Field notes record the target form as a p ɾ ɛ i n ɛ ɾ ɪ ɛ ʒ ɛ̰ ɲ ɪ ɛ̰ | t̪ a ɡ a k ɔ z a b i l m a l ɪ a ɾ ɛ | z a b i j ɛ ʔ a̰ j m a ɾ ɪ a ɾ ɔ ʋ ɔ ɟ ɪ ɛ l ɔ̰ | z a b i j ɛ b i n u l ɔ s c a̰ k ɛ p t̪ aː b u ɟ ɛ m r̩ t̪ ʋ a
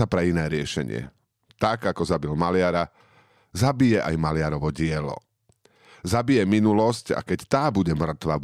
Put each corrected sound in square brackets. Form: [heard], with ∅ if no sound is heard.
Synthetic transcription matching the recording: a p ɾ ɛ i n [ɛː] ɾ ɪ ɛ [ʃ] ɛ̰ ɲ ɪ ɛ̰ | t̪ a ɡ a k ɔ z a b i l m a l ɪ a ɾ [a] | z a b i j ɛ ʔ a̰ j m a [l] ɪ a ɾ ɔ ʋ ɔ ɟ ɪ ɛ l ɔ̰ | z a b i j ɛ [m] i n u l ɔ s c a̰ k ɛ [c] t̪ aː b u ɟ ɛ m r̩ t̪ ʋ a